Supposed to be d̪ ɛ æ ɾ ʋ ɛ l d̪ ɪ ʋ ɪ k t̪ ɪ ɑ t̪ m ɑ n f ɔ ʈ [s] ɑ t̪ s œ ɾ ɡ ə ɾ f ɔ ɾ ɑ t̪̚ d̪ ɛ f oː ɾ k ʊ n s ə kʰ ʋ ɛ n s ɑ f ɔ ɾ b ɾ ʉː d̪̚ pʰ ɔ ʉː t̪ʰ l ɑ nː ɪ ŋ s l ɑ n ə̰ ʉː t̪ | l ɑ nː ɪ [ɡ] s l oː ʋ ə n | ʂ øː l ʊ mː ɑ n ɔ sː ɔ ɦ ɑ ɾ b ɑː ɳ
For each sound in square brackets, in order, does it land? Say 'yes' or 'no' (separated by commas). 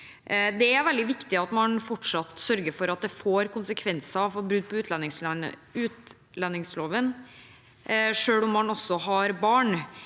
no, no